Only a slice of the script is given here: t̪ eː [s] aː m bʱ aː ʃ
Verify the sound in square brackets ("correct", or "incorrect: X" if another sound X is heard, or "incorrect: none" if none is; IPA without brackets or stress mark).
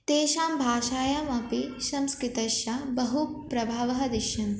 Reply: incorrect: ʃ